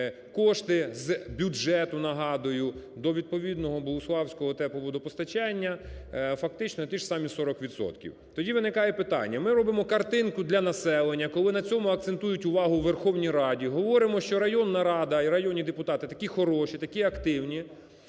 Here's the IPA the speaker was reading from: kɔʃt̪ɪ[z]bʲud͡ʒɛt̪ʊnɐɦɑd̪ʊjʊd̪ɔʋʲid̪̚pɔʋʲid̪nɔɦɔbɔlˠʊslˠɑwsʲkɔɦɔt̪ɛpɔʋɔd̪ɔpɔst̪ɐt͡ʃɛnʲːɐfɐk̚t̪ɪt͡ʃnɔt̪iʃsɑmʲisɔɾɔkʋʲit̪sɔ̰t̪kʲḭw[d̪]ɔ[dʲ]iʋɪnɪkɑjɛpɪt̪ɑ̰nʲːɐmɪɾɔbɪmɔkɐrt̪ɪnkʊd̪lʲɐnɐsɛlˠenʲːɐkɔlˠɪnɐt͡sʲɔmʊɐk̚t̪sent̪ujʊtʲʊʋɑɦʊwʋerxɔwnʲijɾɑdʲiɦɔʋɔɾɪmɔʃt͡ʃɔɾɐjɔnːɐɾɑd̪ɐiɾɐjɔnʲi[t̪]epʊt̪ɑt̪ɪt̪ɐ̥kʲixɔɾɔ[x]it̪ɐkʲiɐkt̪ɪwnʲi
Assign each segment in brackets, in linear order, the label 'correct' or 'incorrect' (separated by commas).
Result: correct, incorrect, correct, incorrect, incorrect